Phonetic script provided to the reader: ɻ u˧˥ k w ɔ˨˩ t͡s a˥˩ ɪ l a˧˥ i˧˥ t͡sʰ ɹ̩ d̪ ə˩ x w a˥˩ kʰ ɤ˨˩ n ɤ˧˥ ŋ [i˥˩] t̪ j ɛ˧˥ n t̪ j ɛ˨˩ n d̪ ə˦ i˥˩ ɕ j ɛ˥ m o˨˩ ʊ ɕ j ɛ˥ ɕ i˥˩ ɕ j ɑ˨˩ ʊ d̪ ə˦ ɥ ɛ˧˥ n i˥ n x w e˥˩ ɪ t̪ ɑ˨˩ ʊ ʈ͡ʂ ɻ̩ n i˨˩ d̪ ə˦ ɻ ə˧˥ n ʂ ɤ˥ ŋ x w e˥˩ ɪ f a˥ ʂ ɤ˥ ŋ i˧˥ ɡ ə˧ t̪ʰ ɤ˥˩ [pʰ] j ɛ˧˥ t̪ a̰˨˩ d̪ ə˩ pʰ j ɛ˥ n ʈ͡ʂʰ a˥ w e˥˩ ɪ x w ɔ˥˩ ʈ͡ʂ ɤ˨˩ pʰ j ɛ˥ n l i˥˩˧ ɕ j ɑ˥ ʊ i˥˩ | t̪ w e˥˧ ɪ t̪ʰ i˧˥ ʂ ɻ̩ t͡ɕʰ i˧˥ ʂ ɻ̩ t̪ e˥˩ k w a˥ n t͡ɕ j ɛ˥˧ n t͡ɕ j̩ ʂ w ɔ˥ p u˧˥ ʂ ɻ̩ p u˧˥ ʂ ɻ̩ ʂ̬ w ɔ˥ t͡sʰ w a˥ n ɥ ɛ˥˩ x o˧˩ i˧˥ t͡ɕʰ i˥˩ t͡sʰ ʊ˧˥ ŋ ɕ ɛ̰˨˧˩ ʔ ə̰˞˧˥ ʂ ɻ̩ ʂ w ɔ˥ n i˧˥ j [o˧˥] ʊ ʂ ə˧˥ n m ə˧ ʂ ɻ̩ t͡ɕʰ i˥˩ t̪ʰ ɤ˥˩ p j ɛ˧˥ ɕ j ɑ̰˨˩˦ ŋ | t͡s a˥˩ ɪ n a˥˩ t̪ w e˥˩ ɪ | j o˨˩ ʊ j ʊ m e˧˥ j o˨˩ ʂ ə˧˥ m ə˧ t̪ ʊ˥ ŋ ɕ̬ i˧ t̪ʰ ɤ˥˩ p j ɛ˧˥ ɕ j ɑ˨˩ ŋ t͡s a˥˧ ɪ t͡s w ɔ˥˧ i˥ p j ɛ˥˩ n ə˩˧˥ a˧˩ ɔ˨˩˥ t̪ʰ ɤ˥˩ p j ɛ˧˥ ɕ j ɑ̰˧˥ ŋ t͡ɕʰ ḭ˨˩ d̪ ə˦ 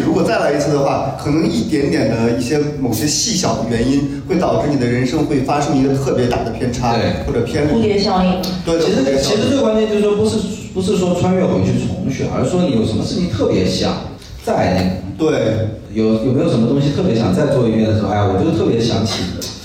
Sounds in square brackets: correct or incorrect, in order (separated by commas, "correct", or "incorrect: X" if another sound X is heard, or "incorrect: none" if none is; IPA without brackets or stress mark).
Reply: correct, incorrect: p, incorrect: o˨˩